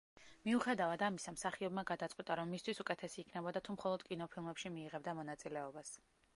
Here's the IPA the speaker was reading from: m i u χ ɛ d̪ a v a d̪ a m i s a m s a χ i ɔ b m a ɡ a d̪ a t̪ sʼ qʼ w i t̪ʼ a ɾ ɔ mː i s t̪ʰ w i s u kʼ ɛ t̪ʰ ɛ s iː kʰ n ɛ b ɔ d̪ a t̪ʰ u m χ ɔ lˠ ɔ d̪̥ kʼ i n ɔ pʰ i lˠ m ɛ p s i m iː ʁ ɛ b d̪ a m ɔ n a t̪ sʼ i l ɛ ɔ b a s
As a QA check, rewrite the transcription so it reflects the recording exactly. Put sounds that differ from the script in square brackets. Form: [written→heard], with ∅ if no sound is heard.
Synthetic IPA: m i u χ ɛ d̪ a v a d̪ a m i s a m s a χ i ɔ b m a ɡ a d̪ a t̪ sʼ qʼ w i t̪ʼ a ɾ ɔ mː i s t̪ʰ w i s u kʼ ɛ t̪ʰ ɛ s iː kʰ n ɛ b ɔ d̪ a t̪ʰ u m χ ɔ lˠ ɔ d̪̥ kʼ i n ɔ pʰ i lˠ m ɛ p [s→ʃ] i m iː ʁ ɛ b d̪ a m ɔ n a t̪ sʼ i l ɛ ɔ b a s